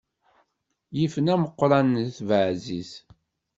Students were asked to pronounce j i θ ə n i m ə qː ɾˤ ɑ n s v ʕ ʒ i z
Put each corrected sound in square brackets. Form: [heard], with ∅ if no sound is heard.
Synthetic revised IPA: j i [f] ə n [æ] m ə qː ɾˤ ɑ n [θ] v ʕ [z] i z